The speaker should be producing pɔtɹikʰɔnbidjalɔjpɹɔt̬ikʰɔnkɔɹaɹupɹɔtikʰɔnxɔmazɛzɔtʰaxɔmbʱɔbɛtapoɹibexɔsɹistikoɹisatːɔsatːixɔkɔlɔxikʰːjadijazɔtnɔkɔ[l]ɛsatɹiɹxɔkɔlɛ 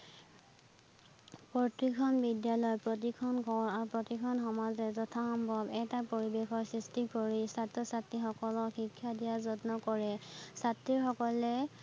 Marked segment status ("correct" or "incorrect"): incorrect